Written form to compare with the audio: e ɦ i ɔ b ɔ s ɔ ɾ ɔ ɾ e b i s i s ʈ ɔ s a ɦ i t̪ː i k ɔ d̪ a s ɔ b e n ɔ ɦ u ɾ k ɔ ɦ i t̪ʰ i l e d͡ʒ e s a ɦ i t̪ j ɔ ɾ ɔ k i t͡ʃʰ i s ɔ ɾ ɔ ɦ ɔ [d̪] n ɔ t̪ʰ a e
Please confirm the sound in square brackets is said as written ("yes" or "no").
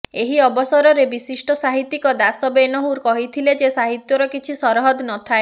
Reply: yes